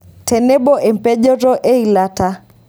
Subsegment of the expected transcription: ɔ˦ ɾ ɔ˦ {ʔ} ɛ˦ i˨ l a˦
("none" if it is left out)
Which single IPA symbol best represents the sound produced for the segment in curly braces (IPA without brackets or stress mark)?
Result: ʔ